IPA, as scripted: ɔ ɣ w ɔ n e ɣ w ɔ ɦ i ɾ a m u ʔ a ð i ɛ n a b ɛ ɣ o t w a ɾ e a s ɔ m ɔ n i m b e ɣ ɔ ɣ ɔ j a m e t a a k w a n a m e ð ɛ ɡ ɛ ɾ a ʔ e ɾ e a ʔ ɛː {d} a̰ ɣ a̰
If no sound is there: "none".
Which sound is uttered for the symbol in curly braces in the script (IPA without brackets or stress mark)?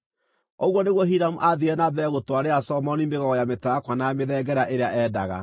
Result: d